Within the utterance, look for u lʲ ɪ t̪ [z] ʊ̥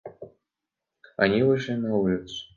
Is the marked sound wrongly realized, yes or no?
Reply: yes